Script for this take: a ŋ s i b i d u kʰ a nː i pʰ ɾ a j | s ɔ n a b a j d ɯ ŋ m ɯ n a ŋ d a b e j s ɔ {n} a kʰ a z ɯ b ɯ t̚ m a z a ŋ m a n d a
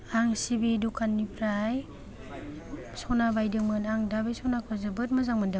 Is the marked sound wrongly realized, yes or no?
no